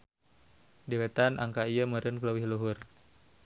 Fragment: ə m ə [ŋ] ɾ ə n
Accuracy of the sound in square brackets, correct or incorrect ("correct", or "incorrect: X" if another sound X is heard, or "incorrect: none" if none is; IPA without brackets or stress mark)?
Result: incorrect: none